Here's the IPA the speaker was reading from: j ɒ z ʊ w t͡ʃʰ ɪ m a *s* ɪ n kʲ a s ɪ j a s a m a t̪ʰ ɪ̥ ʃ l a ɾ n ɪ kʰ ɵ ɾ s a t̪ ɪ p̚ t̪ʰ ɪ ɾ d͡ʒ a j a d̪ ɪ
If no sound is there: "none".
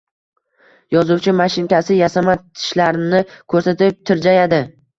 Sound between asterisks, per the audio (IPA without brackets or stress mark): ʃ